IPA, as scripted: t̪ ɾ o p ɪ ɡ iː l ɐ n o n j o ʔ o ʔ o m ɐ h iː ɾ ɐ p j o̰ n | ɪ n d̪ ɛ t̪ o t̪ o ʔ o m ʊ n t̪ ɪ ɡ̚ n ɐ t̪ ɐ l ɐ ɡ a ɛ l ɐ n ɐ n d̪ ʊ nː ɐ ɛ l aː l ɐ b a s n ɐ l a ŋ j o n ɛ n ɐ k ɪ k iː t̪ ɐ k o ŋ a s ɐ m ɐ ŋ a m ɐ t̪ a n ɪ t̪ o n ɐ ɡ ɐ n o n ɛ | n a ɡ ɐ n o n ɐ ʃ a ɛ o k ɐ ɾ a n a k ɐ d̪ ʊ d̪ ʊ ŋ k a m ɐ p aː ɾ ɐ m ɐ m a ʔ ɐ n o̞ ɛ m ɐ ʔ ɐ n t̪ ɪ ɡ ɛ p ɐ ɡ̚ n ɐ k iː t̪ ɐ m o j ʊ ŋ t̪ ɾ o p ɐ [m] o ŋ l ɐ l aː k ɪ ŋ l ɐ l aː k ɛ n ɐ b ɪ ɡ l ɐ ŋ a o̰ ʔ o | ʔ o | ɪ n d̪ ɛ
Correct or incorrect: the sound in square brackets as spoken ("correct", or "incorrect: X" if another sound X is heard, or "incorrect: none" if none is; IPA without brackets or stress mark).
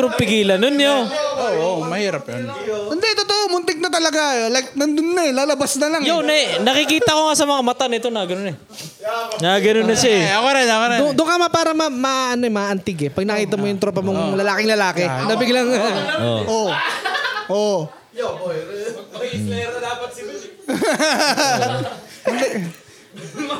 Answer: correct